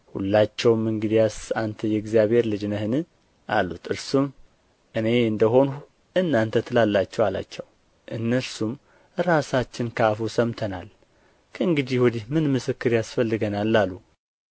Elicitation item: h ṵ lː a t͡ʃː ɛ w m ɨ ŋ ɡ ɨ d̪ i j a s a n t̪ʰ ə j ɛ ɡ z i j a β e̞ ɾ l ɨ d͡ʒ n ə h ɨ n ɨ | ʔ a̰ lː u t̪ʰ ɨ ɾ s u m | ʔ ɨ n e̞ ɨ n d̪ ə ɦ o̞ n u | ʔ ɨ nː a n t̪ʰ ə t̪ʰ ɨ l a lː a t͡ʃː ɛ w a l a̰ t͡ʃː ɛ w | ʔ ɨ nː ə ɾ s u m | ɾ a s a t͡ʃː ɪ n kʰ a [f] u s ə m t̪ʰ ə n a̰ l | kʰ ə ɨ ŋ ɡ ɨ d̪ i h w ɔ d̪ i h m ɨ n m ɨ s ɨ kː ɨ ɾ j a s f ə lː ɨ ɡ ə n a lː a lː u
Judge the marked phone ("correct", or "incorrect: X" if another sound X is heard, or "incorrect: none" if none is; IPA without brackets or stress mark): correct